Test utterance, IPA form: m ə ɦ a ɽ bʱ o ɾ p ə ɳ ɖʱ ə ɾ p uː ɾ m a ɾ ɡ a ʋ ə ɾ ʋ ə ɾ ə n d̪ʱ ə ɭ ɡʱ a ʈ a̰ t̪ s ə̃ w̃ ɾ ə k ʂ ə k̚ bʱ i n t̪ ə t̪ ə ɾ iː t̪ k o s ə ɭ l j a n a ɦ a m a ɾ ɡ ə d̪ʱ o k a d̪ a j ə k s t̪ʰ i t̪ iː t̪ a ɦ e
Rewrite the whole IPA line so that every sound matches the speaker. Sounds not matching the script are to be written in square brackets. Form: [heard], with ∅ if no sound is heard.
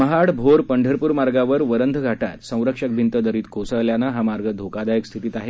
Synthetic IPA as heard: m ə ɦ a ɽ bʱ o ɾ p ə ɳ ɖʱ ə ɾ p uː ɾ m a ɾ ɡ a ʋ ə ɾ ʋ ə ɾ ə n d̪ʱ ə [∅] ɡʱ a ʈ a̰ t̪ s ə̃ w̃ ɾ ə k ʂ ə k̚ bʱ i n t̪ ə [d̪] ə ɾ iː t̪ k o s ə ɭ l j a n a ɦ a m a ɾ ɡ ə d̪ʱ o k a d̪ a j ə k s t̪ʰ i t̪ iː t̪ a ɦ e